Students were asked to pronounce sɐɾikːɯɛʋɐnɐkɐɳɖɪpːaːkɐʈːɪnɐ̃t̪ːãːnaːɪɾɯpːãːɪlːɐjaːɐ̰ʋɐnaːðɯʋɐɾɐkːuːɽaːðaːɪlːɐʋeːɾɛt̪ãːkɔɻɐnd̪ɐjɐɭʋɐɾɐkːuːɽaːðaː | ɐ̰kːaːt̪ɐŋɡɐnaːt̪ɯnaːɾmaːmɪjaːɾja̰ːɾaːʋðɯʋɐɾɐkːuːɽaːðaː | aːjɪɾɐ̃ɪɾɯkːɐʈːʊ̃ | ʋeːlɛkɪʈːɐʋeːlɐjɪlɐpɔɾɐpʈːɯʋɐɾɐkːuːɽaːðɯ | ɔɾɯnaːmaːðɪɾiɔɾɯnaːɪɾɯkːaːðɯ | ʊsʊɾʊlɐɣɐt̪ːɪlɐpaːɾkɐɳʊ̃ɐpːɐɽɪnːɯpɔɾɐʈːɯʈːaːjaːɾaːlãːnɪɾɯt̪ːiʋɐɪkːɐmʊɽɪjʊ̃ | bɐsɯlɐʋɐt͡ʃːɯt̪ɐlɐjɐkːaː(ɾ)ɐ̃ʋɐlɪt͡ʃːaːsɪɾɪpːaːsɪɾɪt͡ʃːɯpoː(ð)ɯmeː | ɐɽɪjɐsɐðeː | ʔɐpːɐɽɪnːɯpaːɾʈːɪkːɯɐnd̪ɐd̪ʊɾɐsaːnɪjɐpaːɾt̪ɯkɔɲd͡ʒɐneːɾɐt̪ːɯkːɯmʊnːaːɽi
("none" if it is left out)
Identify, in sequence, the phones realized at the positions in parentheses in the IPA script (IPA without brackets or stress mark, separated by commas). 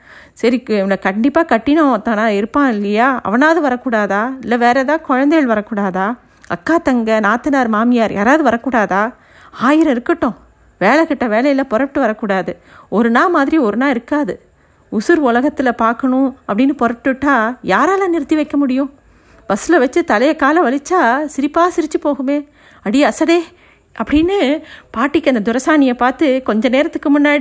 l, ɣ